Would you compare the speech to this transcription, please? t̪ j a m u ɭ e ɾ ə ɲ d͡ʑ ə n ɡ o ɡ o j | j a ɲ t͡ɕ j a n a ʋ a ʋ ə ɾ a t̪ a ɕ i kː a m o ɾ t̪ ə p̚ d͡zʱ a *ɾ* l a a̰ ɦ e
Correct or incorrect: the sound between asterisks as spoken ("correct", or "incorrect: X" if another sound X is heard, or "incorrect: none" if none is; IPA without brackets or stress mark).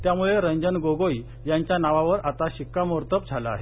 incorrect: none